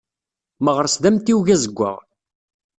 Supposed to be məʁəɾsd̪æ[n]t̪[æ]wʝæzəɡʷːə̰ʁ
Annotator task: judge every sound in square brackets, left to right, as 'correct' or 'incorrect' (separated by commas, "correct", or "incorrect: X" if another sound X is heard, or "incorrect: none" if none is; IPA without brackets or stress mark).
incorrect: m, incorrect: i